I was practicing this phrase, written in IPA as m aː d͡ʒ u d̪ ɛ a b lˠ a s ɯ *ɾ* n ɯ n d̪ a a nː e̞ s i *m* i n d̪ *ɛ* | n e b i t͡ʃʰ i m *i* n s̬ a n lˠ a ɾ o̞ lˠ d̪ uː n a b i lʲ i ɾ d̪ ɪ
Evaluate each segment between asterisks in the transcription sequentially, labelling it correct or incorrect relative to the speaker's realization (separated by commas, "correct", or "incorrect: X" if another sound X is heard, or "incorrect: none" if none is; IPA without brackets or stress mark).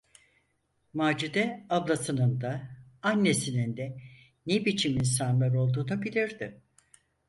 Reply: incorrect: none, incorrect: n, correct, correct